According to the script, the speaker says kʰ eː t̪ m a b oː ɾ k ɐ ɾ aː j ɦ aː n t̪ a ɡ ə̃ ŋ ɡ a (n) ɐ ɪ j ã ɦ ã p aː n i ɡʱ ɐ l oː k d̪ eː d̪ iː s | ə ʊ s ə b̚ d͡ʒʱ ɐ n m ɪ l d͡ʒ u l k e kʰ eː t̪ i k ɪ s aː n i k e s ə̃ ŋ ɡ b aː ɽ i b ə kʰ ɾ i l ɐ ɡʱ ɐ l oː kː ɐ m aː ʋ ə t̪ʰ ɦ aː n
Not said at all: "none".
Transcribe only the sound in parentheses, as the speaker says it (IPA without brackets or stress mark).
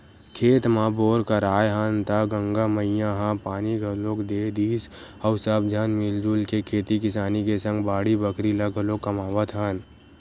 m